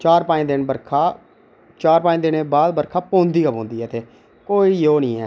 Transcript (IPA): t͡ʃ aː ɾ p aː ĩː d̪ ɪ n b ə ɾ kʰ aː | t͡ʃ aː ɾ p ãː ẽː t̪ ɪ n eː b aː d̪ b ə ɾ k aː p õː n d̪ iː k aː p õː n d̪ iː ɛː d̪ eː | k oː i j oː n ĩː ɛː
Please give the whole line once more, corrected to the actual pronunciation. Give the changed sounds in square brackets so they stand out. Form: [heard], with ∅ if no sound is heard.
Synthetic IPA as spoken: t͡ʃ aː ɾ p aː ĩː d̪ ɪ n b ə ɾ kʰ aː | t͡ʃ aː ɾ p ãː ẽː [d̪] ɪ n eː b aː d̪ b ə ɾ [kʰ] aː p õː n d̪ iː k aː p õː n d̪ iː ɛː [t̪] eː | k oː i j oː n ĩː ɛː